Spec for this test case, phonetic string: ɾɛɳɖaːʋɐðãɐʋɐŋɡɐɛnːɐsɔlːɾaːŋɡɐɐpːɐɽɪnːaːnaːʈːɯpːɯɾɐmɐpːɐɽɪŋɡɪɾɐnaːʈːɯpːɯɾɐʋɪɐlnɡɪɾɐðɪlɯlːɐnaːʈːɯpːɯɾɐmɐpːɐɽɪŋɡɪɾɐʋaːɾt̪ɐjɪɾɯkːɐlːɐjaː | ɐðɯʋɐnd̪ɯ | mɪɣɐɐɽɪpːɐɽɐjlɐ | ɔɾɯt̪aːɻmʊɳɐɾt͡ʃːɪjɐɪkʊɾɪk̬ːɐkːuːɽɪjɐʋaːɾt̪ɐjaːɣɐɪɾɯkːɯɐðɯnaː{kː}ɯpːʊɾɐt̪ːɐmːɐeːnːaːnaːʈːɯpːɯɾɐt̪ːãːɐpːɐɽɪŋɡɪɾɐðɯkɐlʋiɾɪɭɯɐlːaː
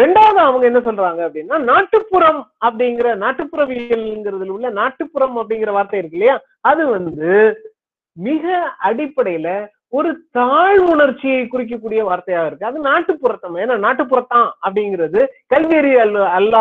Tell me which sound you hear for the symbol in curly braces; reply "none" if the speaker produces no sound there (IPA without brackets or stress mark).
ʈː